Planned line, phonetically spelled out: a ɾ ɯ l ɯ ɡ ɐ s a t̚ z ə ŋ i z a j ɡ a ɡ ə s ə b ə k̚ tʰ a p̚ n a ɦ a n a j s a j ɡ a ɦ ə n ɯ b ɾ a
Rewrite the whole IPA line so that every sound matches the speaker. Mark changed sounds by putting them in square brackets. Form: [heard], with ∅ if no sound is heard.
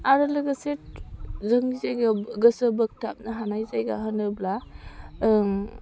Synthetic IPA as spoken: a ɾ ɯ l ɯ ɡ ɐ s [e] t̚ z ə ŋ i z a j ɡ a ɡ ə s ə b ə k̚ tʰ a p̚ n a ɦ a n a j [z] a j ɡ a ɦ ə n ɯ b [l] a